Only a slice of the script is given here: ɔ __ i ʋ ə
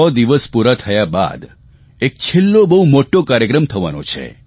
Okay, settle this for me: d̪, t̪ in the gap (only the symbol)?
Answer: d̪